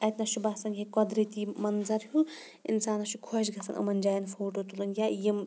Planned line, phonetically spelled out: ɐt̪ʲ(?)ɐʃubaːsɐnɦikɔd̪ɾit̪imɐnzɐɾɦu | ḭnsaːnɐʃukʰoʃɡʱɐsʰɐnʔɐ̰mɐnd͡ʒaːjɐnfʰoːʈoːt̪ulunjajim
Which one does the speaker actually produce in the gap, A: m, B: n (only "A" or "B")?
B